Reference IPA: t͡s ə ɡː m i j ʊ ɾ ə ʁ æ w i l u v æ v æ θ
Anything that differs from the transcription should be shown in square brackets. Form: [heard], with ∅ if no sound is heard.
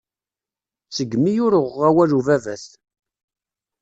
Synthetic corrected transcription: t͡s ə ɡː m i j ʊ ɾ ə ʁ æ w [æ] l u v æ v æ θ